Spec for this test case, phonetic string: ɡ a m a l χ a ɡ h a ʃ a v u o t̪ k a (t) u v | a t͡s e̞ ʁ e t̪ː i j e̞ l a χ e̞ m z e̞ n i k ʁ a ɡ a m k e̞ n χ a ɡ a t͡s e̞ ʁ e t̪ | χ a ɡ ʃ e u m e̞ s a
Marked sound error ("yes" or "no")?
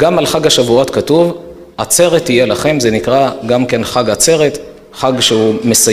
no